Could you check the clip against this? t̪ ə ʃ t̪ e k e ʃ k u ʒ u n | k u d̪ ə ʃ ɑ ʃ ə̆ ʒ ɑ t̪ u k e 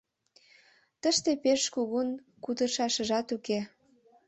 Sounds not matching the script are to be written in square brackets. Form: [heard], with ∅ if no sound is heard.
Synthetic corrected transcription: t̪ ə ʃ t̪ e [p] e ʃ k u [ɣ] u n | k u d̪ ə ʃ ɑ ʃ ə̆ ʒ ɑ t̪ u k e

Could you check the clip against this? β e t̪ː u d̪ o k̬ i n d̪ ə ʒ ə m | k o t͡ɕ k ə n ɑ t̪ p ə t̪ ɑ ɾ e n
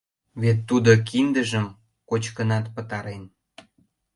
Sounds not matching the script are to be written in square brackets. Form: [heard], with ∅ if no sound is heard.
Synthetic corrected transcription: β e t̪ː u d̪ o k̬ i n d̪ ə ʒ ə m | k o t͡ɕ k ə n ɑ t̪ p ə t̪ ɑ ɾ e n

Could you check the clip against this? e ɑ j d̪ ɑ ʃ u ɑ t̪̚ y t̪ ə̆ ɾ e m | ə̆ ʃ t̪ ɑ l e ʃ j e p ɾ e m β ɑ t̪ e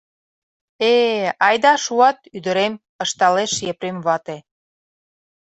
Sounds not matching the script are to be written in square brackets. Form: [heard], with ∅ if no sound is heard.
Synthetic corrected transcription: e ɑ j d̪ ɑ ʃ u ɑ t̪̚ y [d̪] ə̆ ɾ e m | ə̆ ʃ t̪ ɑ l e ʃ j e p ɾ e m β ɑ t̪ e

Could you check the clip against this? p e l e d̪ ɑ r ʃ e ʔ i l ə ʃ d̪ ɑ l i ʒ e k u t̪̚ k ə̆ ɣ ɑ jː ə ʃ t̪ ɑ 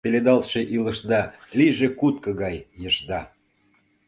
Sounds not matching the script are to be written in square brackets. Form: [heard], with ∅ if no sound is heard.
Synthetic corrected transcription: p e l e d̪ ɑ [l] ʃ e ʔ i l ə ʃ d̪ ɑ l i ʒ e k u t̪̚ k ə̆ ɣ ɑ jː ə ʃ [d̪] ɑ

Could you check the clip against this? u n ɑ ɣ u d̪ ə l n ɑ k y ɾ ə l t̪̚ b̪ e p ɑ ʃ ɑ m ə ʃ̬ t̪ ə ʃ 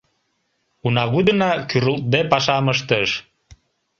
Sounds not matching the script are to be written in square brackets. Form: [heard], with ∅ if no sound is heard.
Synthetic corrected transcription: u n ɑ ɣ u d̪ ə [∅] n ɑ k y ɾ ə l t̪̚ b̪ e p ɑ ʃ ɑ m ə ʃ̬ t̪ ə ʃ

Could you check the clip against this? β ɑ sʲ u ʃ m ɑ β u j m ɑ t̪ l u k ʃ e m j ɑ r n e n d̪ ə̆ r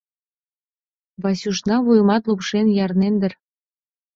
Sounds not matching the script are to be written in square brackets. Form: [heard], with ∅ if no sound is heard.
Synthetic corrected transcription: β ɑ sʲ u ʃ [n] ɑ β u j m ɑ t̪ l u [p] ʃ e [n] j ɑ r n e n d̪ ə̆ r

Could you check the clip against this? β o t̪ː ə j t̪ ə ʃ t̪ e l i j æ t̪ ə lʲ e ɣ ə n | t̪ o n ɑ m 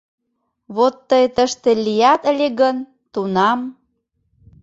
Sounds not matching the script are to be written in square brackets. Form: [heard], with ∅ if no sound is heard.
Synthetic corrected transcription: β o t̪ː ə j t̪ ə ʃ t̪ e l i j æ t̪ ə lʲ e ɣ ə n | t̪ [u] n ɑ m

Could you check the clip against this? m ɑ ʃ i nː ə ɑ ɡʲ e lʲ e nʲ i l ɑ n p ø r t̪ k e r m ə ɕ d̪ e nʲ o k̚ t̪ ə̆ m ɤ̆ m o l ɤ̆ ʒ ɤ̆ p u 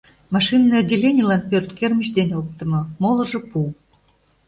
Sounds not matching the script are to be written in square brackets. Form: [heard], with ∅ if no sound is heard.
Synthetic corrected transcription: m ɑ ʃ i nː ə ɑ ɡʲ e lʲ e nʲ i l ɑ n p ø r t̪ k e r m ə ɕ d̪ e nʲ o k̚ t̪ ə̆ m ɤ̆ m o l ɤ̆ ʒ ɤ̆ p u

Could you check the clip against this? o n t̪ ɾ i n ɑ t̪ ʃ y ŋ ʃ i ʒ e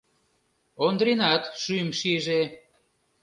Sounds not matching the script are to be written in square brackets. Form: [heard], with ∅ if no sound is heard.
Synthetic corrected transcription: o n [d̪] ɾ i n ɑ t̪ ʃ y [m] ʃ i ʒ e

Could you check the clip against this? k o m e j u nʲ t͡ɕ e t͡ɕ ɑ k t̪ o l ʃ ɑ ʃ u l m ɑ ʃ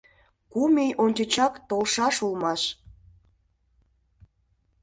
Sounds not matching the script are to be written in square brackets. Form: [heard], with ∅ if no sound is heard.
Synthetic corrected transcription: k [u] m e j [o] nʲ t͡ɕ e t͡ɕ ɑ k t̪ o l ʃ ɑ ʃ u l m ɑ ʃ

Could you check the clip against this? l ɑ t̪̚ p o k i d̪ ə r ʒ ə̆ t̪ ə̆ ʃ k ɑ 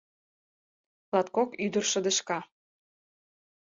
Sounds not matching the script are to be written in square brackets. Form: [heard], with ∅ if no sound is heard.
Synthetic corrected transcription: l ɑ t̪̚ [k] o k [y] d̪ ə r [ʃ] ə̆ [d̪] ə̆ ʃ k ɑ

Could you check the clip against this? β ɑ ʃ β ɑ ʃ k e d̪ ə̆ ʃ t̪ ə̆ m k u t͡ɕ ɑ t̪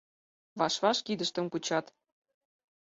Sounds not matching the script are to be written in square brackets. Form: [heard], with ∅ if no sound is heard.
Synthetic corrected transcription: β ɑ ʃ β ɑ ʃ k [i] d̪ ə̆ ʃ t̪ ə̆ m k u t͡ɕ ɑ t̪

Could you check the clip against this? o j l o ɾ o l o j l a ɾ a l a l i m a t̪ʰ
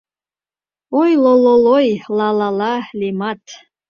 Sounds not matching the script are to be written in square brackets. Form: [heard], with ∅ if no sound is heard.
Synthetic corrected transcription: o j l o [l] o l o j l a [l] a l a l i m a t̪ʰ

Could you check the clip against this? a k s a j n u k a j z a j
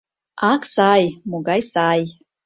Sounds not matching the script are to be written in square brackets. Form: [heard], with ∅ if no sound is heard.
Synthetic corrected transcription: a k s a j [m] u [ɡ] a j [s] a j

